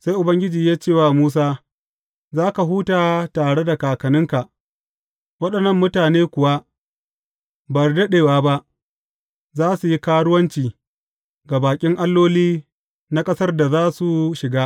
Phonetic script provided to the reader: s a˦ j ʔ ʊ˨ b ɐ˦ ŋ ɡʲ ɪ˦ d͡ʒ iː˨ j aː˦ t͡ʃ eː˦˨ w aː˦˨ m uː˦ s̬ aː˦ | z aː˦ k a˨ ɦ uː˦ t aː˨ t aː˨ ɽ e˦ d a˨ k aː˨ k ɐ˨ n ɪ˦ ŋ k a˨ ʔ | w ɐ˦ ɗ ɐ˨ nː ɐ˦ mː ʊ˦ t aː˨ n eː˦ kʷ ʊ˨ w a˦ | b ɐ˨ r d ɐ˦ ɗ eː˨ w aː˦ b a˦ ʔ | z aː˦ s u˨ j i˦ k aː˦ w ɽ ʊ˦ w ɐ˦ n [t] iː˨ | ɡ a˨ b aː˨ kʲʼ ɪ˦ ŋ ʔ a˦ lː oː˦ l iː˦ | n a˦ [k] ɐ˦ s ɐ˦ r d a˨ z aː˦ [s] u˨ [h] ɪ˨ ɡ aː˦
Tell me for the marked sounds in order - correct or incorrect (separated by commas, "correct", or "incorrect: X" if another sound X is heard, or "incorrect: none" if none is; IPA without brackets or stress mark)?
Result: incorrect: t͡ʃ, incorrect: kʼ, correct, incorrect: ʃ